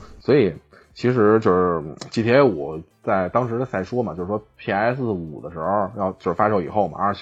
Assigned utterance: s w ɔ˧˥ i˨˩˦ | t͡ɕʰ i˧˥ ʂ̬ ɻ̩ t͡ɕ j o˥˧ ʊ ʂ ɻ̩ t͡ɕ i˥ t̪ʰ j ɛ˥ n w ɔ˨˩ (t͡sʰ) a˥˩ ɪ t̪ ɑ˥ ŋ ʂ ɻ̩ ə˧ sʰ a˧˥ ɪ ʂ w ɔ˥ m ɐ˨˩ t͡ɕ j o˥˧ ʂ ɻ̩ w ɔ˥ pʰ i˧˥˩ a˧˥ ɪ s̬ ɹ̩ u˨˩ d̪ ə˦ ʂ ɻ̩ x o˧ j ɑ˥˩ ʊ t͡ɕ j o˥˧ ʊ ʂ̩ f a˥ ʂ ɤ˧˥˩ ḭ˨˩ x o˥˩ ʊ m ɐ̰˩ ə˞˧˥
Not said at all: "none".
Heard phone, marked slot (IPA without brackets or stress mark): t͡s